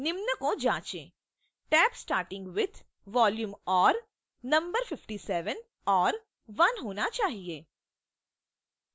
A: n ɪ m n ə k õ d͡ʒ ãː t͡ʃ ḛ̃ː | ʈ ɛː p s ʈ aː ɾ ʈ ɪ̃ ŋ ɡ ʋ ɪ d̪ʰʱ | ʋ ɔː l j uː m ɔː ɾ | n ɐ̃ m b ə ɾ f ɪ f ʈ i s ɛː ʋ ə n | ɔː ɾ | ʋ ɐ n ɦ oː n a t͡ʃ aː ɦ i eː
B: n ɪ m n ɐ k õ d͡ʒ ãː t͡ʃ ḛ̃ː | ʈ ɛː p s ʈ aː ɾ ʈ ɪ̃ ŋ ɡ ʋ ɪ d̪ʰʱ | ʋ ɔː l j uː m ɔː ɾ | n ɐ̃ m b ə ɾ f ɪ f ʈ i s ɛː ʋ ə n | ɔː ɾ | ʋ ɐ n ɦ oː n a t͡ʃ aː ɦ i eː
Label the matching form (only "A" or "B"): A